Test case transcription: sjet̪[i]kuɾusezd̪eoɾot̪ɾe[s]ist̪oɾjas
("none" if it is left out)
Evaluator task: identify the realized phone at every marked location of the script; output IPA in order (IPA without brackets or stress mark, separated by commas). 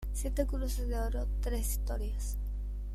e, s